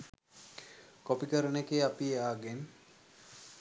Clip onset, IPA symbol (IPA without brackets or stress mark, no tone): k